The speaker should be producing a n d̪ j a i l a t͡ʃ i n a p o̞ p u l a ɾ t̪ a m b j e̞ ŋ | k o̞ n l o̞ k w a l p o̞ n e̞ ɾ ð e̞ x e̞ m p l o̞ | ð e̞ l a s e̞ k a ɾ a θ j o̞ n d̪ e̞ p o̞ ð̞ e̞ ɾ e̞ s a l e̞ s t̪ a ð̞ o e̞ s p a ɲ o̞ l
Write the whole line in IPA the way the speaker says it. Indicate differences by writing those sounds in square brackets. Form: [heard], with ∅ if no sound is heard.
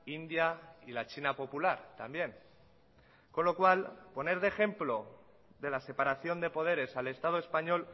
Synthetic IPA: [i] n d̪ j a i l a t͡ʃ i n a p o̞ p u l a ɾ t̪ a m b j e̞ ŋ | k o̞ n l o̞ k w a l p o̞ n e̞ ɾ ð e̞ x e̞ m p l o̞ | ð e̞ l a s e̞ [p] a ɾ a θ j o̞ n d̪ e̞ p o̞ ð̞ e̞ ɾ e̞ s a l e̞ s t̪ a ð̞ o e̞ s p a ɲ o̞ l